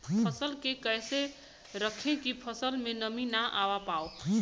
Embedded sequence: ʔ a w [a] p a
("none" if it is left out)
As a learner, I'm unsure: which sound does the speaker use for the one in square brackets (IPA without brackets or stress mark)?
a